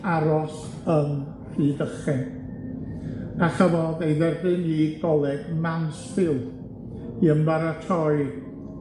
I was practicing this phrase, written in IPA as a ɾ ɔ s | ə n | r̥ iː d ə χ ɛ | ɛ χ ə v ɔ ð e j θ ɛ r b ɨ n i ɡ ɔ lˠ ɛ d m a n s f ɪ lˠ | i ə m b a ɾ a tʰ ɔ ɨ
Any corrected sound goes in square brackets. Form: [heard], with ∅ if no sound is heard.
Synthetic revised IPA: a ɾ ɔ s | ə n | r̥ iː d ə χ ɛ | [a] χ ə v ɔ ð e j [ð] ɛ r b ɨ n i ɡ ɔ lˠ ɛ [ɡ] m a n s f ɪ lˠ | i ə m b a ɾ a tʰ ɔ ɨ